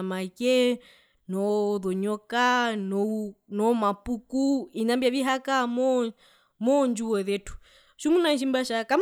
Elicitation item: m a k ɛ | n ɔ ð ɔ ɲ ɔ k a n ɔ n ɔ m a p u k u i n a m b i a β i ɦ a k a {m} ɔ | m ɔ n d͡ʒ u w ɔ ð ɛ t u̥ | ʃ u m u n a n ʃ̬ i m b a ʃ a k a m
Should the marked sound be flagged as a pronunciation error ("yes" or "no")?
no